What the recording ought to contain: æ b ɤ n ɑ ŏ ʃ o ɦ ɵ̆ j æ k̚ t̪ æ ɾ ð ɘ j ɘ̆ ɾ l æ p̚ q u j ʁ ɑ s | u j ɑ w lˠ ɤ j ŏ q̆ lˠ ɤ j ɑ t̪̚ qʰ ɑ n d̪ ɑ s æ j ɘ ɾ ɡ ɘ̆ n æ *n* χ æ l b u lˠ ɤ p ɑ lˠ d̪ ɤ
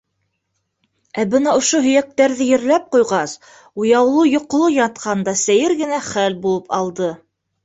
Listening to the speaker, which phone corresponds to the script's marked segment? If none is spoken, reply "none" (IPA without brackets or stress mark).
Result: none